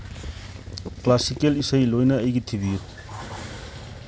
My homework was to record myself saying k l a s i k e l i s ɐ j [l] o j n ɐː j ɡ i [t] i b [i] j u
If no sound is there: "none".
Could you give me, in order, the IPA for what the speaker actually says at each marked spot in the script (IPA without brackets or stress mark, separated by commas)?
l, tʰ, i